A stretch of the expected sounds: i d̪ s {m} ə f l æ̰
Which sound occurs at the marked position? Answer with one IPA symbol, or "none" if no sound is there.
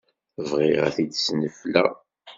n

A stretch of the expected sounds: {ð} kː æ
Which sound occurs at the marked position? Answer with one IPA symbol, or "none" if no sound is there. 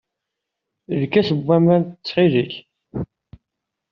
ð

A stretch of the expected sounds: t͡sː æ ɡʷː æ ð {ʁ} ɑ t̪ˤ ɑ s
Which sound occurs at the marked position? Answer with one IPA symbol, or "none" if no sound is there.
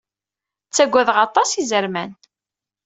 ʁ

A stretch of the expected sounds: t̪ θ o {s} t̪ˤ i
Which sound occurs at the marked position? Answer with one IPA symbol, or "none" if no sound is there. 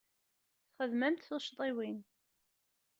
ʃ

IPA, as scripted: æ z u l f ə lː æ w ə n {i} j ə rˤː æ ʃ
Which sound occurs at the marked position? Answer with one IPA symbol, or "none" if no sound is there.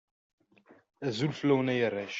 æ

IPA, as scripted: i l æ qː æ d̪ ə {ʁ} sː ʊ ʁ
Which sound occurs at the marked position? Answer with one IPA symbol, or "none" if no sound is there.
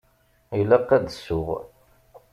none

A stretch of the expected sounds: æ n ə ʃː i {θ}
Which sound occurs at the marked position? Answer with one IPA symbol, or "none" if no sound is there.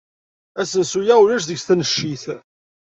θ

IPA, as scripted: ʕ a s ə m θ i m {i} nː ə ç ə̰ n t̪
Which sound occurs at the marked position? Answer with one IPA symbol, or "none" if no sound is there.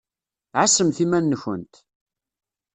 æ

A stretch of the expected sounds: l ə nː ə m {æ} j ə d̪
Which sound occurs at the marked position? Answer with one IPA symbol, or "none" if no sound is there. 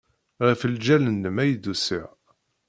æ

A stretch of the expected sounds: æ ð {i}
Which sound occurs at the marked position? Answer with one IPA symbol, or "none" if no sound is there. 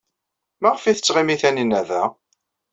æ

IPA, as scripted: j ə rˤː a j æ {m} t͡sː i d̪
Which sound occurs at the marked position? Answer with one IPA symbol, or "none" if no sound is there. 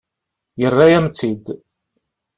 m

